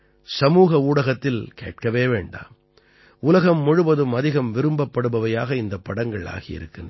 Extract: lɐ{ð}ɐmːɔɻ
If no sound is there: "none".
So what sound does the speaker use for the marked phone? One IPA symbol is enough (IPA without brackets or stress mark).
ɣ